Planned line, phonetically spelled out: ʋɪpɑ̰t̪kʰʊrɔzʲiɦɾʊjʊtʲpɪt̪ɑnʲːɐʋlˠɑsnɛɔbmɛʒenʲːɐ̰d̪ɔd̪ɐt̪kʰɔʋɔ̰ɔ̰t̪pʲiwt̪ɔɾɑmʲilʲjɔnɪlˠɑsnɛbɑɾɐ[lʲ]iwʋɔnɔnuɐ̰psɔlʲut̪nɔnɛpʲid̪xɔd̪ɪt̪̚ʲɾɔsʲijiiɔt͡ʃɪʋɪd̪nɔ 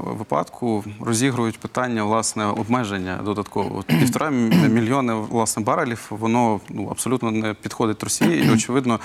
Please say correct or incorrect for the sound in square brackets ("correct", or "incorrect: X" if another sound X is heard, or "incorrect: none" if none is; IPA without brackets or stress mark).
correct